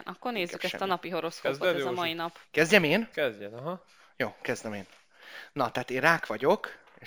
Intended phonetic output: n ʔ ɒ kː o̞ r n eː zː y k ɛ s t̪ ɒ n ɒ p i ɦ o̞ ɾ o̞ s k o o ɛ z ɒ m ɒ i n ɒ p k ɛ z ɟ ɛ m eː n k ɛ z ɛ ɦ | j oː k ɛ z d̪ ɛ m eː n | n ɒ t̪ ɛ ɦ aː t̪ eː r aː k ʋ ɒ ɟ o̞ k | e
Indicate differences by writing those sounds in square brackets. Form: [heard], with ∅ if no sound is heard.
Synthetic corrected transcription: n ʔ ɒ kː o̞ r n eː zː y k ɛ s t̪ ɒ n ɒ p i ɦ o̞ ɾ o̞ s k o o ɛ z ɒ m ɒ i n ɒ p k ɛ z ɟ ɛ m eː n k ɛ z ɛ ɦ | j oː k ɛ z d̪ ɛ m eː n | n ɒ t̪ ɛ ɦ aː t̪ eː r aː k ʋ ɒ ɟ o̞ k | e